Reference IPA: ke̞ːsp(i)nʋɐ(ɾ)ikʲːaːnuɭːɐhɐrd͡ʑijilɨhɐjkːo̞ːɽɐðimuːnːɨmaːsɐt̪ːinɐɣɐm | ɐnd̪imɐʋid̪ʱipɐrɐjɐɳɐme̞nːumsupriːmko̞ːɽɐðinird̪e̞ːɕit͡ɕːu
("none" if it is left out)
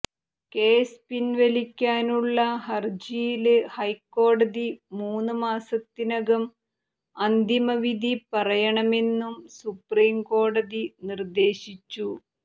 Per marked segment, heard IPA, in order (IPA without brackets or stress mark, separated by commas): i, l